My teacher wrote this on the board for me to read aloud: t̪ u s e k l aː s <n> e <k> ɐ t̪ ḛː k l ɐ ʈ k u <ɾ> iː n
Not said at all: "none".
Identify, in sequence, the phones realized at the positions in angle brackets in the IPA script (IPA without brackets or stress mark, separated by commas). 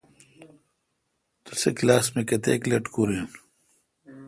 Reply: m, k, ɾ